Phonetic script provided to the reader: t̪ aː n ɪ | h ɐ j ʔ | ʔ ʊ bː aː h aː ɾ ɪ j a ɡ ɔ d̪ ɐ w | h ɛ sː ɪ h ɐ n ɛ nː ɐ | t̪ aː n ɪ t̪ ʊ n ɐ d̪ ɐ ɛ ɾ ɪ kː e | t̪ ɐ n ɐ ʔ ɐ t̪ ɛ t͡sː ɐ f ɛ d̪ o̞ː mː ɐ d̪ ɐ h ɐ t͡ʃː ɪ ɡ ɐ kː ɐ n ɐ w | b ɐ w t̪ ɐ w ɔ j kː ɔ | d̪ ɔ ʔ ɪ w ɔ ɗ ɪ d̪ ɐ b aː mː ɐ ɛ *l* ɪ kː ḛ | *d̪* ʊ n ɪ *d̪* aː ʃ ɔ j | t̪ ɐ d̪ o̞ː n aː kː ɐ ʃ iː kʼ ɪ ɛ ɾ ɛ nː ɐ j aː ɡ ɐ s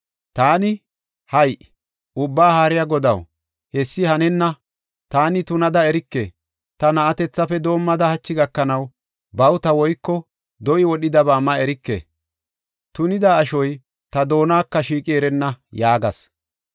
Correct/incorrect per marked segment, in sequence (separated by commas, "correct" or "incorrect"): incorrect, incorrect, correct